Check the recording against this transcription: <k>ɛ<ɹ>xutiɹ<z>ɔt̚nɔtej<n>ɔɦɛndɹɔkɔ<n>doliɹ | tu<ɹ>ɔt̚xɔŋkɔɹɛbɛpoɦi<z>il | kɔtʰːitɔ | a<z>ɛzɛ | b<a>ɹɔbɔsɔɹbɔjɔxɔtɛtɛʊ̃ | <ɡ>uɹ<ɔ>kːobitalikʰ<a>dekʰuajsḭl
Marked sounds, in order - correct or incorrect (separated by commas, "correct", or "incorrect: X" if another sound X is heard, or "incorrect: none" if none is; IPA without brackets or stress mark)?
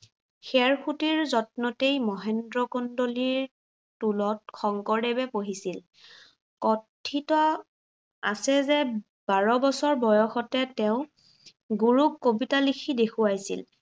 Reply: incorrect: x, correct, correct, incorrect: m, correct, incorrect: l, incorrect: s, incorrect: s, correct, correct, incorrect: u, incorrect: i